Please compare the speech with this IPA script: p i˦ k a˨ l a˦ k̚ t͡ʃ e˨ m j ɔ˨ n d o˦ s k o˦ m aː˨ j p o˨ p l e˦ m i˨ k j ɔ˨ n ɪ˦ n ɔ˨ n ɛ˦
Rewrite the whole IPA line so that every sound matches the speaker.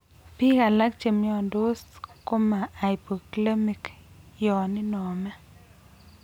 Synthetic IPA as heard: p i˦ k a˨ l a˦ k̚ t͡ʃ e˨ m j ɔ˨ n d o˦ s k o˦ m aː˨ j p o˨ k l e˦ m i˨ k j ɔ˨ n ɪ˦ n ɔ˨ m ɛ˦